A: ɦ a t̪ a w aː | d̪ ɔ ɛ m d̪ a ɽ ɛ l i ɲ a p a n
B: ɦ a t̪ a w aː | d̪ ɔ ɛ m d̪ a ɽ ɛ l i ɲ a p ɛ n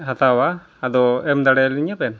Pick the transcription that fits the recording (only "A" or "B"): B